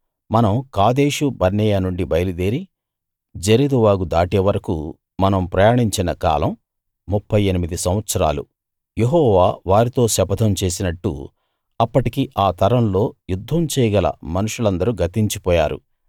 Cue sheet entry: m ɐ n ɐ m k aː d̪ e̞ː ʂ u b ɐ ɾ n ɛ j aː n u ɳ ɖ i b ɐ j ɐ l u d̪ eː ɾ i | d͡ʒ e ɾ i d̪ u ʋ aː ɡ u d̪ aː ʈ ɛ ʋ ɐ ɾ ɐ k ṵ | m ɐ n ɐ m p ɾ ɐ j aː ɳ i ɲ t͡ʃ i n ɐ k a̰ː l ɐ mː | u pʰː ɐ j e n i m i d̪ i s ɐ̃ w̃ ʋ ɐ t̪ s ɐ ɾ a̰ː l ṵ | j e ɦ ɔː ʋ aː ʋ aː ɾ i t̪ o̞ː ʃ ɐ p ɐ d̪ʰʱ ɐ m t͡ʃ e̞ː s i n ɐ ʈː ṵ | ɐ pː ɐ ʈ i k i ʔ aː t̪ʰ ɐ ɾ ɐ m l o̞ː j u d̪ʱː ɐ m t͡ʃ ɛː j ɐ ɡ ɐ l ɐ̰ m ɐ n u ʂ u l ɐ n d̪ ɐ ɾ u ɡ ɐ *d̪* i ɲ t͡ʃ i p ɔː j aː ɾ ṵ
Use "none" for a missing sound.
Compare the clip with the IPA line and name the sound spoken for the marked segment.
t̪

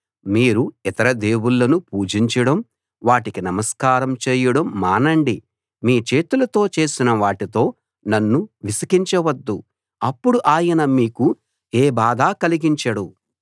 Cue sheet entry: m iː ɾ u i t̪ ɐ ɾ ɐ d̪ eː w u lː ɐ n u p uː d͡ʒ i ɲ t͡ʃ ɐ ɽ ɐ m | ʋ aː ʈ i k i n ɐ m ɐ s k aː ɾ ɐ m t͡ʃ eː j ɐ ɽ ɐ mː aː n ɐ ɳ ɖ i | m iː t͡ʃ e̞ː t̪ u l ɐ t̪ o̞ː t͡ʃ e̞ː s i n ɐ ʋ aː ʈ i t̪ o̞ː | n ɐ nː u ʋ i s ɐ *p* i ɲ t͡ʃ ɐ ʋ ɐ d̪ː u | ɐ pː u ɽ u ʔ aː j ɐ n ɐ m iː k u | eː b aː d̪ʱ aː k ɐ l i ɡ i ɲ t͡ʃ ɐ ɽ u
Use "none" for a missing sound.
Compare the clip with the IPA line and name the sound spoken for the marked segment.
k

